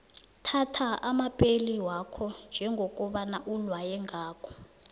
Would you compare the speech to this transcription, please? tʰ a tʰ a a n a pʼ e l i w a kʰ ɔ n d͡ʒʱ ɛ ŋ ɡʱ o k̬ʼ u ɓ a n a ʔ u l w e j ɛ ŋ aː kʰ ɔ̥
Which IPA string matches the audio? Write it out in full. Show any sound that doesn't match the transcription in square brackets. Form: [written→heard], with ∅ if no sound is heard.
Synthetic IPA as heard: tʰ a tʰ a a [n→m] a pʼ e l i w a kʰ ɔ n d͡ʒʱ ɛ ŋ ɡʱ o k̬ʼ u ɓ a n a ʔ u l w [e→a] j ɛ ŋ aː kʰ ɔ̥